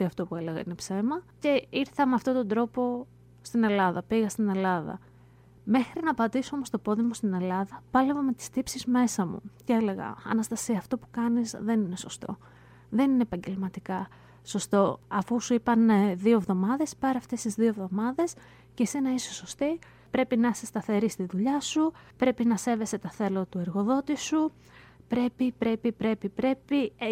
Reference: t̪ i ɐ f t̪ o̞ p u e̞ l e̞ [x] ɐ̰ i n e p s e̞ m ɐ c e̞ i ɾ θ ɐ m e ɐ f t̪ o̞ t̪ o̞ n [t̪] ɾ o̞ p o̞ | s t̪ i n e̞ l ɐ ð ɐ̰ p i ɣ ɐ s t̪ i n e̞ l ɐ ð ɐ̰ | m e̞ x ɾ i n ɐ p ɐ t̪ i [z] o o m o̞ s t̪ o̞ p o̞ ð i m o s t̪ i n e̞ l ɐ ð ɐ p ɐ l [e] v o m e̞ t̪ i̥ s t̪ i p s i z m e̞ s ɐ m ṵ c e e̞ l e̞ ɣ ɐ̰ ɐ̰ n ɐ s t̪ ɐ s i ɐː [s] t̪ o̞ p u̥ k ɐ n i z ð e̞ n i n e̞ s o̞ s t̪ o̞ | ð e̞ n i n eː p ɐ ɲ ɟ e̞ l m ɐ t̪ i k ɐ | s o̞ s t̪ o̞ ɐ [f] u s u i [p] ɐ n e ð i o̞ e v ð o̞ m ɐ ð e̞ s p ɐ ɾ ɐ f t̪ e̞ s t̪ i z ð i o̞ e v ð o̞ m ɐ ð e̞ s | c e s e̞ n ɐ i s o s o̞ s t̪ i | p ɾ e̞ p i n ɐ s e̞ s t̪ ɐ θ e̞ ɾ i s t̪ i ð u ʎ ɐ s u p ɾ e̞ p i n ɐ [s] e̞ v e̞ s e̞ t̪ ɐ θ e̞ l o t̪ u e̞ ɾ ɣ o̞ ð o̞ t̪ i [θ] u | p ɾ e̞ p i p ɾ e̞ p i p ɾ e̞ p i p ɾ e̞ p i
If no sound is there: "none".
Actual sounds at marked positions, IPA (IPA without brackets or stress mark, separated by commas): ɣ, d̪, s, e, f, f, p, s, s